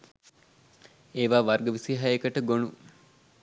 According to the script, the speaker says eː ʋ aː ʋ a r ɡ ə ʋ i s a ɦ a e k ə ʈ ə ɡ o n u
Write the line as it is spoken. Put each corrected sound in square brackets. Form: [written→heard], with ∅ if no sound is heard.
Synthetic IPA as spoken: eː ʋ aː ʋ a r ɡ ə ʋ i s [a→i] ɦ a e k ə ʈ ə ɡ o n u